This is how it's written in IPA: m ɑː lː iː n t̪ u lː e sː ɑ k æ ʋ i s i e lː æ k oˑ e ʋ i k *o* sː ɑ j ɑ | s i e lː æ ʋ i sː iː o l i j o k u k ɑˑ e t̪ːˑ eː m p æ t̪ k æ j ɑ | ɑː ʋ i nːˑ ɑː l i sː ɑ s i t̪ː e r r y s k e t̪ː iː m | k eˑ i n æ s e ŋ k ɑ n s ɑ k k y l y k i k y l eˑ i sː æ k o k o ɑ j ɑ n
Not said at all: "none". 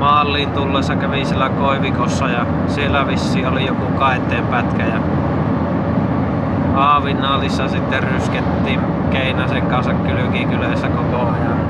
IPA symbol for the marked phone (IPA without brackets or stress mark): o